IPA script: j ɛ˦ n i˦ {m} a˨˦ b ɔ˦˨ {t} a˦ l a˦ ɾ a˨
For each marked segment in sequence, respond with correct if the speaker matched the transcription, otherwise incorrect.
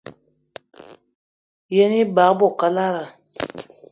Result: incorrect, incorrect

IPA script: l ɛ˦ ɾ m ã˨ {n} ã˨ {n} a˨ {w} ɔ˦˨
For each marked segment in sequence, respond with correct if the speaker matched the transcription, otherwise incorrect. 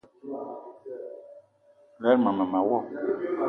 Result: incorrect, incorrect, correct

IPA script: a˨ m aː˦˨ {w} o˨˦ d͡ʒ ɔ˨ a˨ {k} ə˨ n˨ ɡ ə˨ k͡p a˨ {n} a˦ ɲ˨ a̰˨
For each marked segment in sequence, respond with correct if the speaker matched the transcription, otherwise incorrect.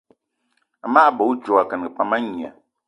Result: incorrect, correct, incorrect

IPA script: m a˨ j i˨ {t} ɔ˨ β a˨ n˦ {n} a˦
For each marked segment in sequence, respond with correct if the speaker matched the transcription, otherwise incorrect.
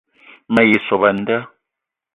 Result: incorrect, incorrect

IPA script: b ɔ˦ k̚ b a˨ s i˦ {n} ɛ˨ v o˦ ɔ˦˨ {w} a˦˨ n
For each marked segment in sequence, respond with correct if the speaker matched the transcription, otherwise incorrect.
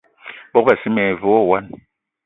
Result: incorrect, correct

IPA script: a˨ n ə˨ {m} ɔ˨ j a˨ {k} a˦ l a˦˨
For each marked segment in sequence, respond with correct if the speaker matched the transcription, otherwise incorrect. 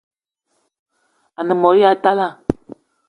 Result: correct, incorrect

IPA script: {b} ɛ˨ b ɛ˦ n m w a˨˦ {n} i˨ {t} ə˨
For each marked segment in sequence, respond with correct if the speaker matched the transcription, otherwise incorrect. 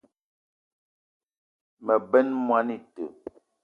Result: incorrect, correct, correct

